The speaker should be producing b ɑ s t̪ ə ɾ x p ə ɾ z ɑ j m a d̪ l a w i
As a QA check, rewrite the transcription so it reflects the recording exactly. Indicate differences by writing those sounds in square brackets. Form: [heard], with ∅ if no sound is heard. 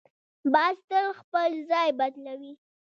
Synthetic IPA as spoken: b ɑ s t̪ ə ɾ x p ə [l] z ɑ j [b] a d̪ l a w i